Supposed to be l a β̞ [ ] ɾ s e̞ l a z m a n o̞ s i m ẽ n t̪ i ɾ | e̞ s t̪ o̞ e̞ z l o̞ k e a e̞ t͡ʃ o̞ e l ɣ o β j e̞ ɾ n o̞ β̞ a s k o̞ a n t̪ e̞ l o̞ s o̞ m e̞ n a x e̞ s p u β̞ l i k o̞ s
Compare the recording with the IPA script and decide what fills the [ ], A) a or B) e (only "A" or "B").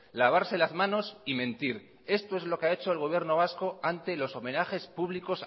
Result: A